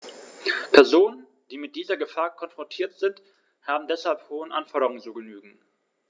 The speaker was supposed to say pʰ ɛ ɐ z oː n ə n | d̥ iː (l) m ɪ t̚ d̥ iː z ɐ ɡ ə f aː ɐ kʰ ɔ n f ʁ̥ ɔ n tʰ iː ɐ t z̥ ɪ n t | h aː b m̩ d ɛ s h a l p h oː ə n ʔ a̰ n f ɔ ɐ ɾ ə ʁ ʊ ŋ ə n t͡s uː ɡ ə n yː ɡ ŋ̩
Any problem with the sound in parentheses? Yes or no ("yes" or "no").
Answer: yes